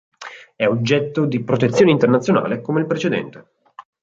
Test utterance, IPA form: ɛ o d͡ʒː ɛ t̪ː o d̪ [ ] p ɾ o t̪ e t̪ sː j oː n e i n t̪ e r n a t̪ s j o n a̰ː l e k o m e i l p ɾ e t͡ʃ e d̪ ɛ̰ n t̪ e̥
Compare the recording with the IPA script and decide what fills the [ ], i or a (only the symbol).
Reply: i